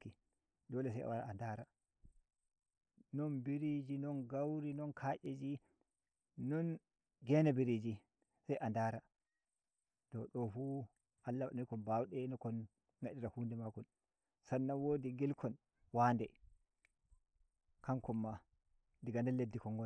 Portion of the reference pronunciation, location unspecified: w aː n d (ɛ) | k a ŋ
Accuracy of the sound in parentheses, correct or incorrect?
correct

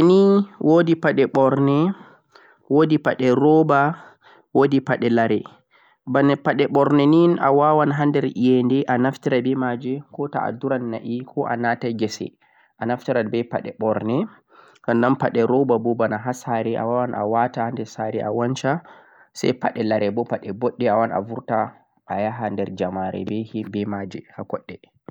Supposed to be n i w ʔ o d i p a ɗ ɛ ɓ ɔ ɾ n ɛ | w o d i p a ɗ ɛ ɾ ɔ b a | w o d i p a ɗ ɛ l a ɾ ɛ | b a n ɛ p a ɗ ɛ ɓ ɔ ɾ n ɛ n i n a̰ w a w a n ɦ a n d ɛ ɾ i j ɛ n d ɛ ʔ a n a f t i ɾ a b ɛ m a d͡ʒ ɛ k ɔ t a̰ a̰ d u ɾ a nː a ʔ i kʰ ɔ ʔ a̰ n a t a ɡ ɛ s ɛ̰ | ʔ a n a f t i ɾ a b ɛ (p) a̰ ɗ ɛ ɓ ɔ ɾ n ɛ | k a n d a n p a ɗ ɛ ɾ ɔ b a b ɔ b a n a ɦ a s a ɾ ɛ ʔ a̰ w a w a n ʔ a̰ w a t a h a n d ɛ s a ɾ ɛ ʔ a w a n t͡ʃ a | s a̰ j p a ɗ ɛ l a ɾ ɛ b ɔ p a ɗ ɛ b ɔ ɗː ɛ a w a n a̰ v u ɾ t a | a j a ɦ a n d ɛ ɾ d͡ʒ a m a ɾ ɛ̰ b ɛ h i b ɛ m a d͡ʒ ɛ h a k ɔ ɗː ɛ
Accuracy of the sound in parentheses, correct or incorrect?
correct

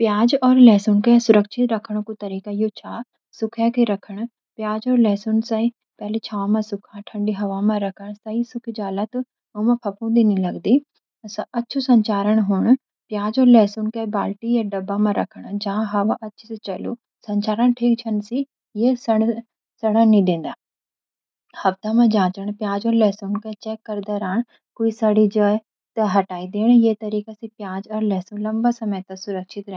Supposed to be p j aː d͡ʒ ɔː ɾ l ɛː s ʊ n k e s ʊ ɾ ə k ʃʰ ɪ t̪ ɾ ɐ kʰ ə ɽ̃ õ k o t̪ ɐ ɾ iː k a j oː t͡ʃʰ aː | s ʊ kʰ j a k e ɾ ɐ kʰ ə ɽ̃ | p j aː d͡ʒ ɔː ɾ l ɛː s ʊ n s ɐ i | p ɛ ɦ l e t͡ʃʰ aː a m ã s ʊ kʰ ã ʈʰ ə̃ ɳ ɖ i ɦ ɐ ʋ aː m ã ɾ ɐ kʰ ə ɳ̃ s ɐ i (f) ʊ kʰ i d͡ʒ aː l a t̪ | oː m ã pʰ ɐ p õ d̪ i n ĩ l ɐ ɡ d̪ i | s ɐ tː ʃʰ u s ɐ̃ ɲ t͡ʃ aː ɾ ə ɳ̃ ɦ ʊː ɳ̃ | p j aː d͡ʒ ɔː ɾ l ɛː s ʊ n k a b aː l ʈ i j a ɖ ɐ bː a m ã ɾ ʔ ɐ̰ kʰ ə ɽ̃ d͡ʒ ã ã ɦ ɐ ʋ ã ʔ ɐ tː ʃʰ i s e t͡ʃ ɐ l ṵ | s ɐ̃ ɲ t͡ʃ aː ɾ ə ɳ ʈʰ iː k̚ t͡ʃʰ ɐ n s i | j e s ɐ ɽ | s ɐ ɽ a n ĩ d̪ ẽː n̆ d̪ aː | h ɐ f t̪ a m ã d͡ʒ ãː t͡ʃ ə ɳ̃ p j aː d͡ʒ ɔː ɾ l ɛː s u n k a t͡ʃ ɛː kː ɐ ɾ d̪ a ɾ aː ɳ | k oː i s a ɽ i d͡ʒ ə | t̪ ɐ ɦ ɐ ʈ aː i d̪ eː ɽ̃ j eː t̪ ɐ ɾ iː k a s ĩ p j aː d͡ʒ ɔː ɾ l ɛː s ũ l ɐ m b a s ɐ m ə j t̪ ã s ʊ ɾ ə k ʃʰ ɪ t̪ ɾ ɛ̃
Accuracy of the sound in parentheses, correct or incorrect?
incorrect: s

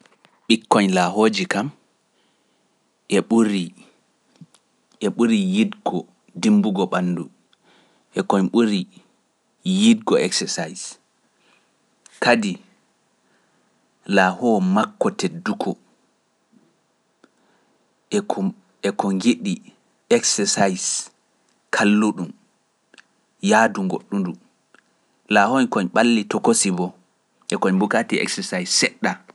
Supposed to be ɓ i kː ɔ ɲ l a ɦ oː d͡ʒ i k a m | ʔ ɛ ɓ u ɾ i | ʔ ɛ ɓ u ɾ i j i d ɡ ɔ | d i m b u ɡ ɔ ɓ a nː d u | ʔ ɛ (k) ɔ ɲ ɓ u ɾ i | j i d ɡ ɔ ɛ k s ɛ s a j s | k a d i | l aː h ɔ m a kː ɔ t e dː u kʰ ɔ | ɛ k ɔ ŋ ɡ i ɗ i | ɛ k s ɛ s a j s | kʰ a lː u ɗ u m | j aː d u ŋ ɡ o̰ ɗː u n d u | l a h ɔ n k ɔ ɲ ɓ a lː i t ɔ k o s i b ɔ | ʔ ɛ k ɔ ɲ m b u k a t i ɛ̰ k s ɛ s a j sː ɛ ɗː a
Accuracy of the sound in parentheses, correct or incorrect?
correct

